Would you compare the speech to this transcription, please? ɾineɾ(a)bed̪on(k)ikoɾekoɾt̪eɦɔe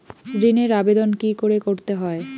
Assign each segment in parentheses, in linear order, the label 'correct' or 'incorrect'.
correct, correct

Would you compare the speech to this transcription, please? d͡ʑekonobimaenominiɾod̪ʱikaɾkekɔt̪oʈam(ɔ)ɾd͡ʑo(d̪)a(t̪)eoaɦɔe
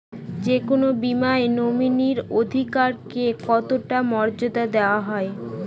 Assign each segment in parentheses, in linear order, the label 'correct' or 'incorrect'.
correct, correct, incorrect: d̪

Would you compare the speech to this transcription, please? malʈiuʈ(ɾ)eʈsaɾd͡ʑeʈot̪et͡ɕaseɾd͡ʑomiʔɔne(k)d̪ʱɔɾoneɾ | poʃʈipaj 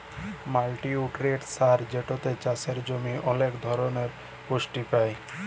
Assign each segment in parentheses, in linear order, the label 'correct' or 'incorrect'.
correct, correct

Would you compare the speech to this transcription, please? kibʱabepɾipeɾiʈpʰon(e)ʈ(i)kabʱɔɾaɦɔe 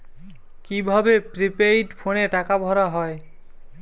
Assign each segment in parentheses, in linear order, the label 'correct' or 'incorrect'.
correct, incorrect: a

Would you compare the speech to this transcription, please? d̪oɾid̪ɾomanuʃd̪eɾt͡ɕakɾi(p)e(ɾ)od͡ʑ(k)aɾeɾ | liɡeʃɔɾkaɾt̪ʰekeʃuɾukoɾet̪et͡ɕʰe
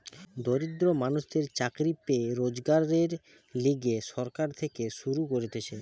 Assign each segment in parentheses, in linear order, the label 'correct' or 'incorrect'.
correct, correct, incorrect: ɡ

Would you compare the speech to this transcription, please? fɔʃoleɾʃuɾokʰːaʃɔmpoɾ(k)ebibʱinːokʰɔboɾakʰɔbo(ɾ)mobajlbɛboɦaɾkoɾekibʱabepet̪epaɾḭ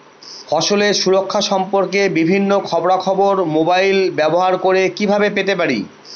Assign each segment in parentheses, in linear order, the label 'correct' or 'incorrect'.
correct, correct

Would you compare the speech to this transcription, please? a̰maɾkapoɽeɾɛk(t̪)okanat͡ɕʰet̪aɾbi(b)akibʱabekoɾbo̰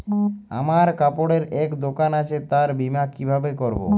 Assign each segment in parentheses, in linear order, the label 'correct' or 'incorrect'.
incorrect: d̪, incorrect: m

